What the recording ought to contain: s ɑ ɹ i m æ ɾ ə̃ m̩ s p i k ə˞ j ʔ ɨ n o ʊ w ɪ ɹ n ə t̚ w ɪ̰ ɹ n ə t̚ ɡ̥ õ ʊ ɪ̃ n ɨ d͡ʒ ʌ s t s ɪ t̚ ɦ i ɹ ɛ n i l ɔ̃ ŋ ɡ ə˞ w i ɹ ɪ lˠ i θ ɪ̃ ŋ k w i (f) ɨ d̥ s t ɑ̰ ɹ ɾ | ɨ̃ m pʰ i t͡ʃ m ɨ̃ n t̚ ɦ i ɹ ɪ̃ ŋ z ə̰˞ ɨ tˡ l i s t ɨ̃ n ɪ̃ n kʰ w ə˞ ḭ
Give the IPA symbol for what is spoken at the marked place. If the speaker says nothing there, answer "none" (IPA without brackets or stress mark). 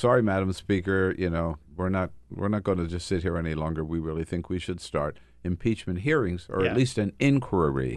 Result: ʃ